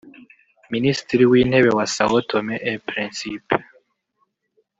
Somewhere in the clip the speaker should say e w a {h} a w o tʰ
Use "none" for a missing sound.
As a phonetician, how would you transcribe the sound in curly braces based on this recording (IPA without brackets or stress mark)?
s